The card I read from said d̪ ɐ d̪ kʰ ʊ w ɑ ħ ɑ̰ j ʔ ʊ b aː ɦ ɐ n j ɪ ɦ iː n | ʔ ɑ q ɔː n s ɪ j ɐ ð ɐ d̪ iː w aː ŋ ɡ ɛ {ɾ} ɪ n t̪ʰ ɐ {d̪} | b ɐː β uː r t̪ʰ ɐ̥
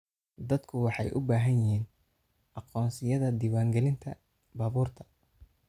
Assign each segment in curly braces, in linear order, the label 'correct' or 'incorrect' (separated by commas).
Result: incorrect, incorrect